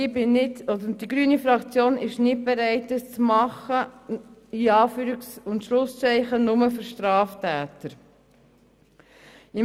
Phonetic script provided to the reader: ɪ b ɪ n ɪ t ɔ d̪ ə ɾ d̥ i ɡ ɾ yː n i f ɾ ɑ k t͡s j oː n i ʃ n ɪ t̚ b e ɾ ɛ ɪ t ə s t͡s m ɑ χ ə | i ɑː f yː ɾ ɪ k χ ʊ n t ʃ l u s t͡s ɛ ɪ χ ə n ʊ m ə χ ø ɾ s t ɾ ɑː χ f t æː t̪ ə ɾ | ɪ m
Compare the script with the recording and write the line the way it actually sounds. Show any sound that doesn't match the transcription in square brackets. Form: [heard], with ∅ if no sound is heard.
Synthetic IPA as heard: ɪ b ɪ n ɪ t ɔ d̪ ə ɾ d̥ i ɡ ɾ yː n i f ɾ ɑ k t͡s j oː n [ɪ] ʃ n ɪ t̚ b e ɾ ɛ ɪ t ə s t͡s m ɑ χ ə | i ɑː f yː ɾ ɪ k [s] ʊ n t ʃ l [ʊ] s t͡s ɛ ɪ χ ə n ʊ m ə [f] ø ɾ [ʃ] t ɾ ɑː [∅] f t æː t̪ ə ɾ | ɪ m

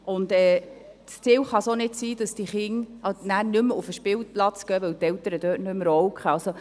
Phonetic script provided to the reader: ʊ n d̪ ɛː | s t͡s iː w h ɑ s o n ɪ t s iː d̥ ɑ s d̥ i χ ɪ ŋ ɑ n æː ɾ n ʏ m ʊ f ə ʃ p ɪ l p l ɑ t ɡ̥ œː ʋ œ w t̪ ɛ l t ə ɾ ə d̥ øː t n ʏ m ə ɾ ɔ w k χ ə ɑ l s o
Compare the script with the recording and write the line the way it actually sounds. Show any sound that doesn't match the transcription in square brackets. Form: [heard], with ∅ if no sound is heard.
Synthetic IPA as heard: ʊ n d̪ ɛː | s t͡s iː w [χ] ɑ s o n ɪ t s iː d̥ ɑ s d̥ i χ ɪ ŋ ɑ n æː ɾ n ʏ m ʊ f ə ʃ p ɪ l p l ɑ [t͡s] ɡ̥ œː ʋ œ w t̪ ɛ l t ə ɾ ə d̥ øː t n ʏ m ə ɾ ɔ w k χ ə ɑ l s o

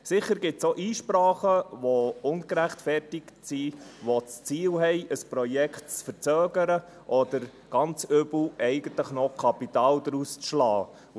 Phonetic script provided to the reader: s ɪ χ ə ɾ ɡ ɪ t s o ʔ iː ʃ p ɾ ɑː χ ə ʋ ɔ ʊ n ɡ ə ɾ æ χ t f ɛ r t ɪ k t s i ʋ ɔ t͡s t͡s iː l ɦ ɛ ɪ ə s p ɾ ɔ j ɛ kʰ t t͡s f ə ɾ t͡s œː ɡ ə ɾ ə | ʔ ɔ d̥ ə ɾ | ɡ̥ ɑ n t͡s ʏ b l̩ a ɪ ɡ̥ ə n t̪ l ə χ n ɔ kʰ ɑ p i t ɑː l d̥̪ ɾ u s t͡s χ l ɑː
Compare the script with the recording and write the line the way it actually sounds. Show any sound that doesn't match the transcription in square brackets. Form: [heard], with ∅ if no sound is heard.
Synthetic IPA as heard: s ɪ χ ə ɾ ɡ ɪ t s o ʔ iː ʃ p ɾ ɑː χ ə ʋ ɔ ʊ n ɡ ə ɾ æ χ t f ɛ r t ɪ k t s i ʋ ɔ t͡s t͡s iː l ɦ ɛ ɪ ə s p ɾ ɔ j ɛ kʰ t t͡s f ə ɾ t͡s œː ɡ ə ɾ ə | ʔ ɔ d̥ ə ɾ | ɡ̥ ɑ n t͡s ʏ b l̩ [ɛ] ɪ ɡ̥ ə n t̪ l ə χ n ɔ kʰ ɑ p i t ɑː l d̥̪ ɾ u s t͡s [ʃ] l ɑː

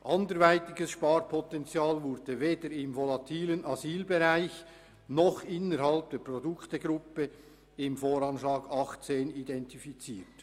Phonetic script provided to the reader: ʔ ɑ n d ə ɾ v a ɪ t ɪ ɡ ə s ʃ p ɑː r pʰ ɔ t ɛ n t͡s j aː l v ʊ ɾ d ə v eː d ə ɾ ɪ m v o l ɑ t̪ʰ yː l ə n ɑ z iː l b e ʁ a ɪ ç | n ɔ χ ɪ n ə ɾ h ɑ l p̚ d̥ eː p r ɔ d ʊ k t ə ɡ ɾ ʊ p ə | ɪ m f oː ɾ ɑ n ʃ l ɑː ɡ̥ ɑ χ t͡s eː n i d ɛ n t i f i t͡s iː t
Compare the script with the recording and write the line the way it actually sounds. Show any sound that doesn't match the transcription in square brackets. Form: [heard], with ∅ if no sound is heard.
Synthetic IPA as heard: ʔ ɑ n d ə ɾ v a ɪ t ɪ ɡ ə s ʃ p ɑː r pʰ ɔ t ɛ n t͡s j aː l v ʊ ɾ d ə v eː d ə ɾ ɪ m v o l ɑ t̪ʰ [iː] l ə n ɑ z iː l b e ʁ a ɪ ç | n ɔ χ ɪ n ə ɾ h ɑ l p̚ d̥ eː p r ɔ d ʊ k t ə ɡ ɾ ʊ p ə | ɪ m f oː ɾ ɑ n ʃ l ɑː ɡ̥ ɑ χ t͡s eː n i d ɛ n t i f i t͡s iː t

